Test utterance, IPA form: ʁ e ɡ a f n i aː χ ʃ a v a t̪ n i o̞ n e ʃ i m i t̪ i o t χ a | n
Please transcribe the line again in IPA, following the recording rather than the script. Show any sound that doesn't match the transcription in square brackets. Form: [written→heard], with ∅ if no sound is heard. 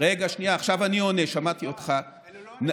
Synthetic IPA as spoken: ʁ e ɡ a [f→ʃ] n i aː χ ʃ a v a [t̪→∅] n i o̞ n e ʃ [i→a] m [i→a] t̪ i o t χ a | n